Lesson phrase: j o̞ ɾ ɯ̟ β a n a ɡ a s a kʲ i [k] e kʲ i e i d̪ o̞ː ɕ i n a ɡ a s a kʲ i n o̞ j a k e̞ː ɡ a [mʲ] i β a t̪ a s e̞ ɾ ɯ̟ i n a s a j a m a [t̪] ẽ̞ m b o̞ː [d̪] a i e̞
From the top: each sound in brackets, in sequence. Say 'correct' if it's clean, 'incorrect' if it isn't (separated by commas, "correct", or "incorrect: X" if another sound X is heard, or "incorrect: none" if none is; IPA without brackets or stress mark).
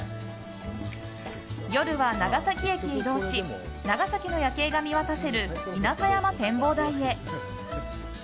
incorrect: none, correct, correct, correct